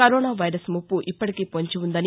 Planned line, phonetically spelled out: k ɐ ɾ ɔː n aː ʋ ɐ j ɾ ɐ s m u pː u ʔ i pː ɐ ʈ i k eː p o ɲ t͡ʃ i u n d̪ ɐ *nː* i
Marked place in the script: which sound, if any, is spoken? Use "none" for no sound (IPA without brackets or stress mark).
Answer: n